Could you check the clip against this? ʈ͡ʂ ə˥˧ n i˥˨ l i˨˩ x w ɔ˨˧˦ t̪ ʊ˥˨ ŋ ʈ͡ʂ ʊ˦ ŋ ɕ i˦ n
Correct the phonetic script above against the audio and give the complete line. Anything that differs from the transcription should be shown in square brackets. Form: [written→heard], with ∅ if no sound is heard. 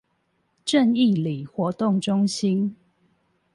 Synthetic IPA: ʈ͡ʂ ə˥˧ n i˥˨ l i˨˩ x w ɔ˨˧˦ t̪ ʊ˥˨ ŋ ʈ͡ʂ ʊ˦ ŋ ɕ i˦ n